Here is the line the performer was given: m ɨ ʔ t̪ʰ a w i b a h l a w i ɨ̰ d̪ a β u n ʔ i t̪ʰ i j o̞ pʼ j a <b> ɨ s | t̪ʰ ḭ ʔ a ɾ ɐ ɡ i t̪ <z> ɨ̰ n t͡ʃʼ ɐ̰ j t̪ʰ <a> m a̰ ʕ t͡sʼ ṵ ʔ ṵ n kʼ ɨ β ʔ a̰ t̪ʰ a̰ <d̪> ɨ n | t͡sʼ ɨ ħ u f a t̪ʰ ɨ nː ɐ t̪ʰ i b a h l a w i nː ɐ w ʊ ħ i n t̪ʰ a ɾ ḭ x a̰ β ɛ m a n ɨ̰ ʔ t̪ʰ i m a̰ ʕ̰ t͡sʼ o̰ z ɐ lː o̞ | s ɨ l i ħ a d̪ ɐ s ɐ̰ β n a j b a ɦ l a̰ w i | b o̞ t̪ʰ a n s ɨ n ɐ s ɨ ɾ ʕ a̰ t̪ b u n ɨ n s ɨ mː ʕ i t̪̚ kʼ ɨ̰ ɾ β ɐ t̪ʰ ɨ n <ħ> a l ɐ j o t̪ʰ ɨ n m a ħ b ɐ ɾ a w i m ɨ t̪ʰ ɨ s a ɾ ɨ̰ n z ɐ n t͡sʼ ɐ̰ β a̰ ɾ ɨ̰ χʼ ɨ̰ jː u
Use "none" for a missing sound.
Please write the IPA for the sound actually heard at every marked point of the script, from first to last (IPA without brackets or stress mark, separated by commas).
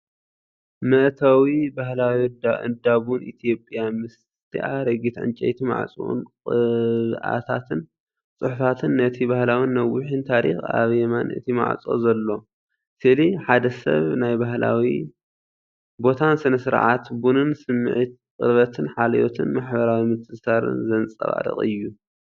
m, ʕ, i, t̪, ħ